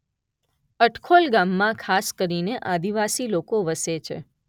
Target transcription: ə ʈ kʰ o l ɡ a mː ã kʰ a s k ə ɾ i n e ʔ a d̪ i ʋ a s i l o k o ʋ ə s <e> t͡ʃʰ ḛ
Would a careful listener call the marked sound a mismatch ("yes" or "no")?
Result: no